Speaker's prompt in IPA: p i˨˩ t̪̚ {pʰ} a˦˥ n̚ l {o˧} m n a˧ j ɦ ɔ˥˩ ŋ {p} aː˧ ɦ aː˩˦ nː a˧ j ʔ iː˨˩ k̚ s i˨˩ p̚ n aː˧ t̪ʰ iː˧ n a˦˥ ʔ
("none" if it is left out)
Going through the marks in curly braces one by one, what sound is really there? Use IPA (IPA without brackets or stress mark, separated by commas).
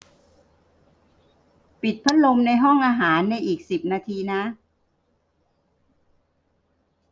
pʰ, o˧, ʔ